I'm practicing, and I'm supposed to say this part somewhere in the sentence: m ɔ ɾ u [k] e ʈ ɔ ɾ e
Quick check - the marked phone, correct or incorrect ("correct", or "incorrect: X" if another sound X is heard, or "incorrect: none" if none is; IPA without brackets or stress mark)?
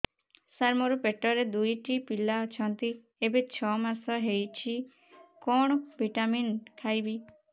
incorrect: p